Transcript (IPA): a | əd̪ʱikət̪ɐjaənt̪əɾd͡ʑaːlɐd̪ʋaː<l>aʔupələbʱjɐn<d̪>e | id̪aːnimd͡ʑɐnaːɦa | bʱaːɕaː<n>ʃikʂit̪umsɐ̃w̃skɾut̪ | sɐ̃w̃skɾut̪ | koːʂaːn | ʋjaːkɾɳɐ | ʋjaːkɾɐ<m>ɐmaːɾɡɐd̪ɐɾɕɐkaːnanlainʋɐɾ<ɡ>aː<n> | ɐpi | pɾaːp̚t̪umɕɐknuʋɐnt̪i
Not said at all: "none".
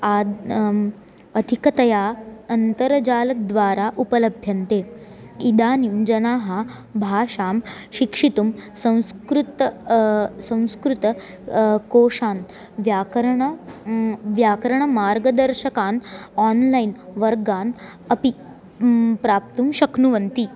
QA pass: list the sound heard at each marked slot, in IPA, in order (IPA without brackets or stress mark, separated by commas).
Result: ɾ, t̪, m, ɳ, ɡ, n